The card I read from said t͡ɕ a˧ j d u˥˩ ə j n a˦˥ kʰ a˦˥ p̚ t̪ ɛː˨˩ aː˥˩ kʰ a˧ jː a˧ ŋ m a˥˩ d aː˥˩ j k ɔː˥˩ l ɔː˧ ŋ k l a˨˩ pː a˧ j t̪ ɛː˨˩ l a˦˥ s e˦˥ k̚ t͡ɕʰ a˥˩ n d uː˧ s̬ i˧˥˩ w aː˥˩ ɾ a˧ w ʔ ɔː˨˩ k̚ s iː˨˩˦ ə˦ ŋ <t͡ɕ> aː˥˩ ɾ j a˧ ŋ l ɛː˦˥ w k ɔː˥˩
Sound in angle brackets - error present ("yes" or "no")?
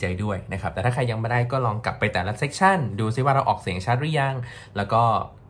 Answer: yes